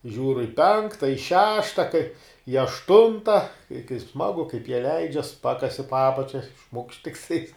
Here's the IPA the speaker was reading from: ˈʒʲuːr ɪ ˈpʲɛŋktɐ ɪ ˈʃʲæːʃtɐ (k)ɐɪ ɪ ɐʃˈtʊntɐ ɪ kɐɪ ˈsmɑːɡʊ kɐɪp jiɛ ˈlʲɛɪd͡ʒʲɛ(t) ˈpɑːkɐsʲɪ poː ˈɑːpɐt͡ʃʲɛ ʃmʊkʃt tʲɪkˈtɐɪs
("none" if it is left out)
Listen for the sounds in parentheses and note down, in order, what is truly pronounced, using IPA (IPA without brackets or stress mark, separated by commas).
k, s